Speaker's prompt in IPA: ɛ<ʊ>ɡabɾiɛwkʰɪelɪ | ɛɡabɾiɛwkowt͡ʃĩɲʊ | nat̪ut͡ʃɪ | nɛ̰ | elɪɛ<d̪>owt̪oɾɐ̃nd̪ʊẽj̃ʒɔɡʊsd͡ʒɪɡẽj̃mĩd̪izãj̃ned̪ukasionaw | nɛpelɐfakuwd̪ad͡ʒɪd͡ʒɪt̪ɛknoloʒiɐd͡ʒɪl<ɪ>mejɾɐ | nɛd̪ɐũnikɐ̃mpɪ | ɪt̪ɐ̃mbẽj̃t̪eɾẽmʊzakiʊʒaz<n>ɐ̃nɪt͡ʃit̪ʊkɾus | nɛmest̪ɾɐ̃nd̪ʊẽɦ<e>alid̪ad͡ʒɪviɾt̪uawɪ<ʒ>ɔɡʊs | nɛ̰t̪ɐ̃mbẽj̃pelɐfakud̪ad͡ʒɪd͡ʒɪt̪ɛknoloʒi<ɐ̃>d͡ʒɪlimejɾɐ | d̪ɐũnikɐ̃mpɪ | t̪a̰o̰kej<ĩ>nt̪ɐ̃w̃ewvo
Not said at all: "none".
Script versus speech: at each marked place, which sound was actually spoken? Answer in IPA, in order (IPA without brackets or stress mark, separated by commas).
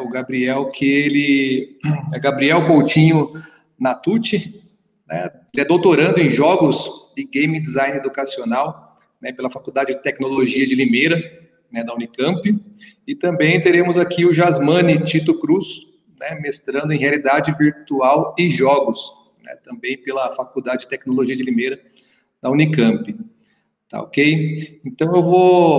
ʊ, d̪, i, m, e, ʒ, ɐ, ẽ